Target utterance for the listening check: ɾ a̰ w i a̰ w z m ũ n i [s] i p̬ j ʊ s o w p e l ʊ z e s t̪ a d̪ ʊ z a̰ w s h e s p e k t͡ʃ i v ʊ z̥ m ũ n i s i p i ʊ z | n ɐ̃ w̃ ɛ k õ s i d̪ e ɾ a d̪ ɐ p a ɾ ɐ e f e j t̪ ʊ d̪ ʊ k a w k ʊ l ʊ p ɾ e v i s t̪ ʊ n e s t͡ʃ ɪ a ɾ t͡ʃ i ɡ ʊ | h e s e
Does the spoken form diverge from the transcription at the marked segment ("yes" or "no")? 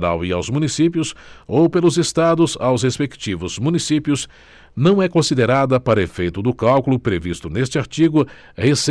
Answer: no